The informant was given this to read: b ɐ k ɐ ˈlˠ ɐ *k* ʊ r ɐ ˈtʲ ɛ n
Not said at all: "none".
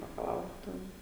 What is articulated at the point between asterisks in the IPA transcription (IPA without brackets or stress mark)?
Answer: none